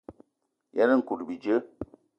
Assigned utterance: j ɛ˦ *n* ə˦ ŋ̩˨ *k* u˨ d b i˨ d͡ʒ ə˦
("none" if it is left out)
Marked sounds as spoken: n, k

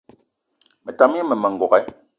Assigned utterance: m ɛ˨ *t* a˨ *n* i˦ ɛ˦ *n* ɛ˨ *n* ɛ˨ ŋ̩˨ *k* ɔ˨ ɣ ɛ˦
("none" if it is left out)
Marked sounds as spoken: t, m, m, m, ɡ

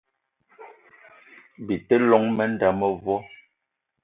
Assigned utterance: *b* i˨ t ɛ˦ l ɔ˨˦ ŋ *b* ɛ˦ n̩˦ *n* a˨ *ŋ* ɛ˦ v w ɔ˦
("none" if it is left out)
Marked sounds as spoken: b, m, d, m

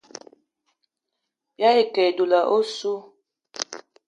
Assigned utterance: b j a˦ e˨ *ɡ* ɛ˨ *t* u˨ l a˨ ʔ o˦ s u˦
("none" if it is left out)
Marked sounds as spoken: k, d

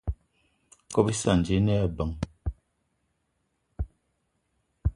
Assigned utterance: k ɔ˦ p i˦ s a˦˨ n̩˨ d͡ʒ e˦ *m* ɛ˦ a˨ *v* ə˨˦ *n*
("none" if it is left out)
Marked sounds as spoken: n, b, ŋ

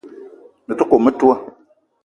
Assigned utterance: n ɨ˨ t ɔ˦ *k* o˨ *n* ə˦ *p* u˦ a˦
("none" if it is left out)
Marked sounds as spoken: k, m, t

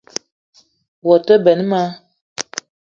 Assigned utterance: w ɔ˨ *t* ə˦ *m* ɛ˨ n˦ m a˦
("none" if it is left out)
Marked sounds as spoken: t, b

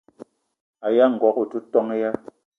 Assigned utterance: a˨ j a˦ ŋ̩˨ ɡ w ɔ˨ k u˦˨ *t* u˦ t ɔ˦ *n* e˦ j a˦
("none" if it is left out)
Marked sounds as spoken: t, ŋ

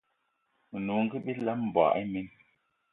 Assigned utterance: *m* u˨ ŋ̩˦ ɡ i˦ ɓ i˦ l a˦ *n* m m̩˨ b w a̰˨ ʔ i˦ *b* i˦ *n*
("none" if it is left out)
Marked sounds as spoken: n, none, m, n

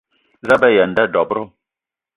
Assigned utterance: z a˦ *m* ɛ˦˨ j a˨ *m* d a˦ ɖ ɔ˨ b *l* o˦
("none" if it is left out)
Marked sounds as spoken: b, n, ɾ

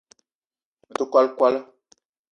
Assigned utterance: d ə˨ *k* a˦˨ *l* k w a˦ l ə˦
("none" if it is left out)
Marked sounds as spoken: k, l

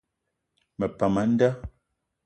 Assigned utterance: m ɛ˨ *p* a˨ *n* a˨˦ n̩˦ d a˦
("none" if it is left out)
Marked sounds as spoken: p, m

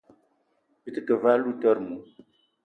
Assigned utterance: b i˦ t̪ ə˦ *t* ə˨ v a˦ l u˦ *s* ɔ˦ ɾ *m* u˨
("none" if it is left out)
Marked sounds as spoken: k, t, m

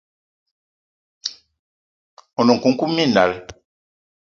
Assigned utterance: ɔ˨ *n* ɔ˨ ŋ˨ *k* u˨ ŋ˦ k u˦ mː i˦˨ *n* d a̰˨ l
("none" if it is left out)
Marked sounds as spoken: n, k, n

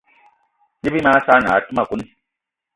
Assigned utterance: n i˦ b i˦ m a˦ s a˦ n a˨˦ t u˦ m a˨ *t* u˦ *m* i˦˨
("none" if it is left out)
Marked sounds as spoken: k, n

